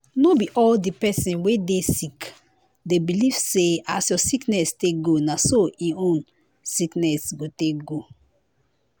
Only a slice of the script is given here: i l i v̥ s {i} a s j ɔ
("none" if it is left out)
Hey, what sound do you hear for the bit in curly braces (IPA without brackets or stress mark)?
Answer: e